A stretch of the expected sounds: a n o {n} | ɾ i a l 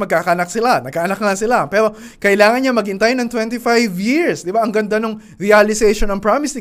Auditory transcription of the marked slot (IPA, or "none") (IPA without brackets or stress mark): ŋ